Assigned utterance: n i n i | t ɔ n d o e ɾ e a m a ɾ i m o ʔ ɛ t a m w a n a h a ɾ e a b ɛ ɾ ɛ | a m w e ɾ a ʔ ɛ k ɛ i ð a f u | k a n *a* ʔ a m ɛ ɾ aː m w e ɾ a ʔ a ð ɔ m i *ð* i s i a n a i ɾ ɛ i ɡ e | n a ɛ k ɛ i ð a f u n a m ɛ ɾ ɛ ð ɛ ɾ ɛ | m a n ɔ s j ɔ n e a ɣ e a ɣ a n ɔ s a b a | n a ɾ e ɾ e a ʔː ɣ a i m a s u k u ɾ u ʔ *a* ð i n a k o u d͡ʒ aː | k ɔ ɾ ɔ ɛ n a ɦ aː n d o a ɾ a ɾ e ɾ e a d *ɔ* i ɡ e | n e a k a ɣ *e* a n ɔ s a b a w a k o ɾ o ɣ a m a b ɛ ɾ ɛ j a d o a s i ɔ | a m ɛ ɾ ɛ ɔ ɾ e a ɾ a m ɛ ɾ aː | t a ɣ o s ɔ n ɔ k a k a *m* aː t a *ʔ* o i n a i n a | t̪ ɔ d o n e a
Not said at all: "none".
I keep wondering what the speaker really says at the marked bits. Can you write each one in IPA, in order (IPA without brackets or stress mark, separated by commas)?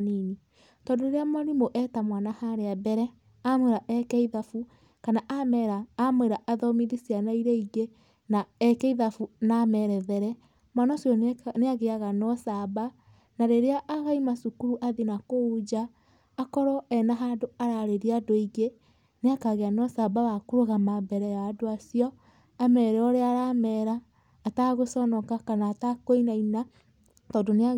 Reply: a, ð, a, o, e, n, k